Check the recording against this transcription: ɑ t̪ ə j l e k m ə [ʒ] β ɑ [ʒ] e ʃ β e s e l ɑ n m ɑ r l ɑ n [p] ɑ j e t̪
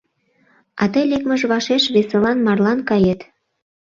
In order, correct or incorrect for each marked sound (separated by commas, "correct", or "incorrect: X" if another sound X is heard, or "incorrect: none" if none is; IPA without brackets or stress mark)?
correct, incorrect: ʃ, incorrect: k